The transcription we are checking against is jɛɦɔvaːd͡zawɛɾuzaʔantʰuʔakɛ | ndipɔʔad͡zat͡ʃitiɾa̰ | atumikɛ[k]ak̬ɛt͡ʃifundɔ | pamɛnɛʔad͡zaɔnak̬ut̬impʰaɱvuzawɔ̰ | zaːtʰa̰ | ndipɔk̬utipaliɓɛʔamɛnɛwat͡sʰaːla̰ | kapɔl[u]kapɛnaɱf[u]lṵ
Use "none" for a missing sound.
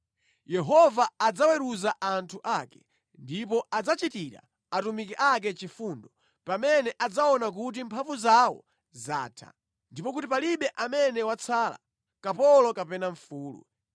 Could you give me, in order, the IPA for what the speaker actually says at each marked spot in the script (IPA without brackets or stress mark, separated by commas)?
ʔ, ɔ, uː